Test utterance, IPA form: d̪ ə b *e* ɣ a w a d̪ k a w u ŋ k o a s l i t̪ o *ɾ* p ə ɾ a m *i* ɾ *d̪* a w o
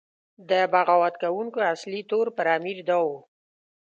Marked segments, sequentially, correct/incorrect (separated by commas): incorrect, correct, correct, correct